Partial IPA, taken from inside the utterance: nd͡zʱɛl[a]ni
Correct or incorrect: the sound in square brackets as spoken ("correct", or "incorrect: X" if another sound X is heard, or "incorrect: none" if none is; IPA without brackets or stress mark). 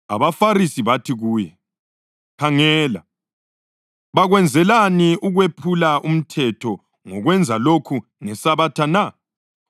correct